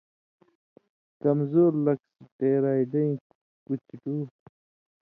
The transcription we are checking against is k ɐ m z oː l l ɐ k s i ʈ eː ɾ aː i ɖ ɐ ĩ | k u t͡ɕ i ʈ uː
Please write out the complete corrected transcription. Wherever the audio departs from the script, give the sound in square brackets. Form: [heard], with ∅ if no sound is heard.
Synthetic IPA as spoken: k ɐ m z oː [ɾ] l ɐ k s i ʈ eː ɾ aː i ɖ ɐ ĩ | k u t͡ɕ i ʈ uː